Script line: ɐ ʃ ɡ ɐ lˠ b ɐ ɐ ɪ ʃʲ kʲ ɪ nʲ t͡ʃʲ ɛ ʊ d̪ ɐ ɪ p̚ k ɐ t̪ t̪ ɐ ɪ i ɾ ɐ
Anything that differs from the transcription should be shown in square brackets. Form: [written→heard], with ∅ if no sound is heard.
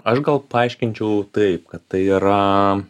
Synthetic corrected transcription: ɐ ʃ ɡ ɐ lˠ [b→p] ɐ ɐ ɪ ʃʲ kʲ ɪ nʲ t͡ʃʲ ɛ ʊ [d̪→t̪] ɐ ɪ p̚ k ɐ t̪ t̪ ɐ ɪ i ɾ ɐ